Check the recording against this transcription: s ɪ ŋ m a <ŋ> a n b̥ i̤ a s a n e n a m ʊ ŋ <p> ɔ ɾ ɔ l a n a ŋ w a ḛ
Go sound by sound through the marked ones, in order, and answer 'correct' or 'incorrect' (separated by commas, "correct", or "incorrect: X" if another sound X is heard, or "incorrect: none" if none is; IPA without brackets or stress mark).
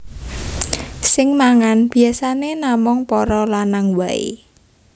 correct, correct